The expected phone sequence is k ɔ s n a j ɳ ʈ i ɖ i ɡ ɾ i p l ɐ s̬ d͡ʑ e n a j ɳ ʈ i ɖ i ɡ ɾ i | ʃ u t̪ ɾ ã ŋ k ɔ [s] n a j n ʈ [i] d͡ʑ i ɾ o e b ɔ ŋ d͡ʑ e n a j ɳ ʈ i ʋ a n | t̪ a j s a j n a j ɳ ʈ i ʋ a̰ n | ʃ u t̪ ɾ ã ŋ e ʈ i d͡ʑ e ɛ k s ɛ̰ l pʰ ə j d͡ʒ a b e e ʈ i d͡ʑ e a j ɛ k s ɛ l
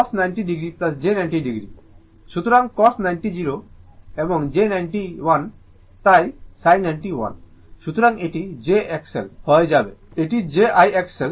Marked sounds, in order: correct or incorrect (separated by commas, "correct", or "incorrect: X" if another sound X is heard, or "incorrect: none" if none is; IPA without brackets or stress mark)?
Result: correct, correct